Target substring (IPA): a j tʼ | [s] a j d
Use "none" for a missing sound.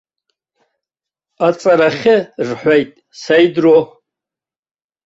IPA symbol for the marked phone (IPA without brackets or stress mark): s